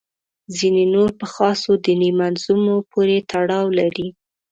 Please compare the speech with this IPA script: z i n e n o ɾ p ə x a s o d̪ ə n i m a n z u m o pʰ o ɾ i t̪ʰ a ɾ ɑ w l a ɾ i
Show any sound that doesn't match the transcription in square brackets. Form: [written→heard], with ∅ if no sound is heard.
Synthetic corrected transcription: z i n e n o ɾ p ə x [a→ɑ] s o d̪ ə n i m a n z u m o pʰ o ɾ [i→e] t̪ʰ a [ɾ→ɽ] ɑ w l a ɾ i